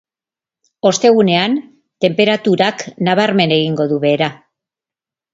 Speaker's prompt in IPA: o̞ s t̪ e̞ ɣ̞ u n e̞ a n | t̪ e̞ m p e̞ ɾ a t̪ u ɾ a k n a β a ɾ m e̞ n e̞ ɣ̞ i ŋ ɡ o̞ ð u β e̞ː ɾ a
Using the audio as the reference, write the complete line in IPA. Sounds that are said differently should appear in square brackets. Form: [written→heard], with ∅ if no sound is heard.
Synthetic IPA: o̞ s t̪ e̞ ɣ̞ u n e̞ a n | t̪ e̞ m p e̞ ɾ a t̪ u ɾ a k n a β a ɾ m e̞ n e̞ ɣ̞ i ŋ ɡ o̞ ð u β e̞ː ɾ a